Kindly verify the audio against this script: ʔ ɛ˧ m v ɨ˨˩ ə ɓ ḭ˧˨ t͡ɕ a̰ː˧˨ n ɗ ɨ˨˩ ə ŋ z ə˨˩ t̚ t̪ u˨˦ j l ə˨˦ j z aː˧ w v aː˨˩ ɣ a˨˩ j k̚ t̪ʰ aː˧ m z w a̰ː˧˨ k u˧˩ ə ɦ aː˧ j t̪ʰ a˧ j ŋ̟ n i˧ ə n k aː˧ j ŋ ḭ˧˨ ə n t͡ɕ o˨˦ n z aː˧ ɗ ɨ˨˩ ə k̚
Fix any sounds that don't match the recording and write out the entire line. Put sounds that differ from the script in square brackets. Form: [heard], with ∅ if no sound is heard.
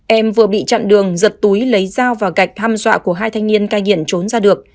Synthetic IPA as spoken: ʔ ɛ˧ m v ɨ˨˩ ə ɓ ḭ˧˨ t͡ɕ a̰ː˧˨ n ɗ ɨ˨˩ ə ŋ z ə˨˩ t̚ t̪ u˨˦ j l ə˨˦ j z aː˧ w v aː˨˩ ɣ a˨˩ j k̚ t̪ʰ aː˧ m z w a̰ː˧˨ k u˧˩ ə ɦ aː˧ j t̪ʰ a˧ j ŋ̟ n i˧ ə n k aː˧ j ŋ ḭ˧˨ ə n t͡ɕ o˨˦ n z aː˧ ɗ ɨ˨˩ ə k̚